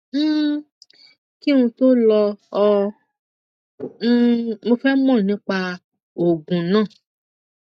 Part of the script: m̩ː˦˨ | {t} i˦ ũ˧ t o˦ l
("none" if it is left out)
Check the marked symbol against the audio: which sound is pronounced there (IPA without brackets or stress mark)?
k